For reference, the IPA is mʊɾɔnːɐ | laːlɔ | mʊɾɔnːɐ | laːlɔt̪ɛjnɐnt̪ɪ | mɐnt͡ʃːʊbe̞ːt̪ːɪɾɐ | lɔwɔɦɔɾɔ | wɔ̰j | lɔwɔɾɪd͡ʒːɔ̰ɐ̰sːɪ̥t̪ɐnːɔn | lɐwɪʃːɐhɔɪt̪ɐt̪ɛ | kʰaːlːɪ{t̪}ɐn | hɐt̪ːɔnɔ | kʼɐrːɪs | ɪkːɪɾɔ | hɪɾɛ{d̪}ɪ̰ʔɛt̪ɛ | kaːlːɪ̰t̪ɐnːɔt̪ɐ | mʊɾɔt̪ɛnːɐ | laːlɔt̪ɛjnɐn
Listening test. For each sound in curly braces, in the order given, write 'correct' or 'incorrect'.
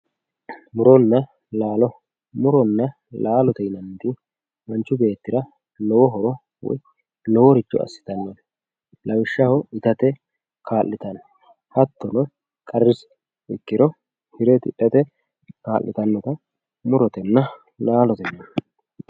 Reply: correct, incorrect

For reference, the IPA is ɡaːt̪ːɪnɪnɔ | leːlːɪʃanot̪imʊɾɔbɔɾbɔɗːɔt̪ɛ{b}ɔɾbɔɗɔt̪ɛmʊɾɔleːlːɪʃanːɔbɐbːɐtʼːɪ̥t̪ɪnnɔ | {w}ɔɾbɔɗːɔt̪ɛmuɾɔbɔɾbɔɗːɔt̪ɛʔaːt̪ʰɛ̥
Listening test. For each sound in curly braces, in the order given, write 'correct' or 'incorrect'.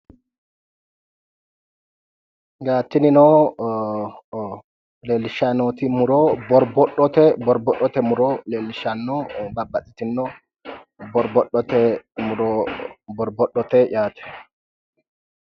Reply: correct, incorrect

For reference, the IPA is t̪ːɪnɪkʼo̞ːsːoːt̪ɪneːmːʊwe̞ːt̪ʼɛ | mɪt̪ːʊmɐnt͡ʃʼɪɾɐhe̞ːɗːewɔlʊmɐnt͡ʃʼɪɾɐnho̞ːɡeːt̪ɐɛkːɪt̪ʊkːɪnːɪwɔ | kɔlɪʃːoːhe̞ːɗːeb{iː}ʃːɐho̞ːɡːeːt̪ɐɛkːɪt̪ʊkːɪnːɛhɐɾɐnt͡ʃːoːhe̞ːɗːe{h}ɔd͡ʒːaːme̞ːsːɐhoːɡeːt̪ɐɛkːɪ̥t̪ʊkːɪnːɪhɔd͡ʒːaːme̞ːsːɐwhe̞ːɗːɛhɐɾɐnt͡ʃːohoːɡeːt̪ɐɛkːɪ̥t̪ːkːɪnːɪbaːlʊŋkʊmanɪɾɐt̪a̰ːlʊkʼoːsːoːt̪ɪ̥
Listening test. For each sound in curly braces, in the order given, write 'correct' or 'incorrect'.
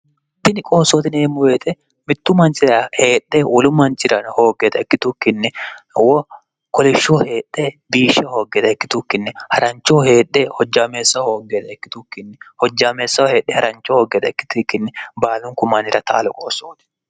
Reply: correct, correct

